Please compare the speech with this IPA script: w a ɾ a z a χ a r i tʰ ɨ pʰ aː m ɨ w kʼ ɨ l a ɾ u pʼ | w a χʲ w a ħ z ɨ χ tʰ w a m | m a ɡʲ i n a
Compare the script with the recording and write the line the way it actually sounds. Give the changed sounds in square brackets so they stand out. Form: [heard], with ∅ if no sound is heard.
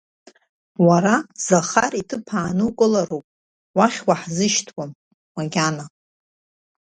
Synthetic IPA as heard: w a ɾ a z a χ a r i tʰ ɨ pʰ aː [n] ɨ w kʼ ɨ l a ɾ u pʼ | w a χʲ w a ħ z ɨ [ʃ] tʰ w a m | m a ɡʲ [a] n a